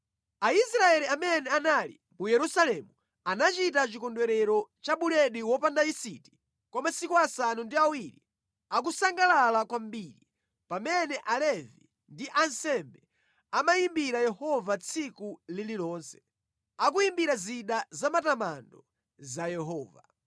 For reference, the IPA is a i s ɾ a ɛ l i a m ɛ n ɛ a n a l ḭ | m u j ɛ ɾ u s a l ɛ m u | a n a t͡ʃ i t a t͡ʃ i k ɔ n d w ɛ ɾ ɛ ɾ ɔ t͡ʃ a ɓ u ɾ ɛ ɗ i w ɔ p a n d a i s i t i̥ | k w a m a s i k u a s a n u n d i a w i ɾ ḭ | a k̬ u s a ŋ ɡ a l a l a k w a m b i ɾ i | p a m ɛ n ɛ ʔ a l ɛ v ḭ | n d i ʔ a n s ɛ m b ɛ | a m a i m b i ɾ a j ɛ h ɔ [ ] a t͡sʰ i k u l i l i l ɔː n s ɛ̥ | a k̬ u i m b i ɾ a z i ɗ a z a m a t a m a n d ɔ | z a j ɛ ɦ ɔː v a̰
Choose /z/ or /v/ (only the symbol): v